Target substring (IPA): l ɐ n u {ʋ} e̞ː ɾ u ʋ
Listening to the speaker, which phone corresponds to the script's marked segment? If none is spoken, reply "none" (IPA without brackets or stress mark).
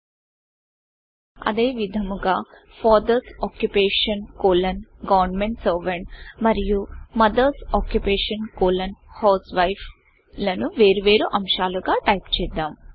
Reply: ʋ